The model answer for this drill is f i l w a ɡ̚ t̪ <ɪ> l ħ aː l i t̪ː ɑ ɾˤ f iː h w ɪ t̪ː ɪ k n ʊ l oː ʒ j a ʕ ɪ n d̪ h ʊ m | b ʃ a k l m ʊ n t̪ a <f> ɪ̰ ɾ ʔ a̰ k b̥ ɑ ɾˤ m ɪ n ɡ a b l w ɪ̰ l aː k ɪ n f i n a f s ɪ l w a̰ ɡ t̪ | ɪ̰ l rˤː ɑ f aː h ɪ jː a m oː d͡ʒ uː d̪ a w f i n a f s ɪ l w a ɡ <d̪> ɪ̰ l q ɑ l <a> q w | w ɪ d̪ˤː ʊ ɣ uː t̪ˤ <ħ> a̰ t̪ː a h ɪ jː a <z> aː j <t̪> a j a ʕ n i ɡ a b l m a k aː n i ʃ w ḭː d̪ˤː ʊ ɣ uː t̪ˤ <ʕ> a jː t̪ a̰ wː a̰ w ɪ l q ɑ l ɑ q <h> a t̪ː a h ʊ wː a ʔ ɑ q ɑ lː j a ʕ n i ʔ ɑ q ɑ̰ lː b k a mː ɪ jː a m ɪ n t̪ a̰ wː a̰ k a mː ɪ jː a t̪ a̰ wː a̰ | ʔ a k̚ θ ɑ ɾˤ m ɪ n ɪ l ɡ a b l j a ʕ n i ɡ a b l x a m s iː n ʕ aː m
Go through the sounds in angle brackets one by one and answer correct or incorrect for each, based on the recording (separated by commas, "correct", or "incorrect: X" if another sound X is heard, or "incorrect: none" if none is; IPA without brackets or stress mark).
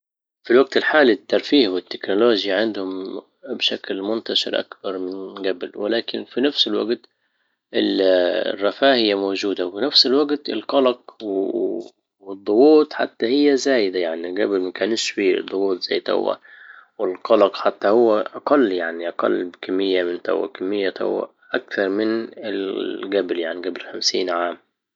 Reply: correct, incorrect: ʃ, incorrect: t̪, incorrect: ɑ, correct, correct, incorrect: d̪, incorrect: z, incorrect: ħ